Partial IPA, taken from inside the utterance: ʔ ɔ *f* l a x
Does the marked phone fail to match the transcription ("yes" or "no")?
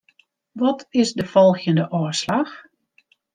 yes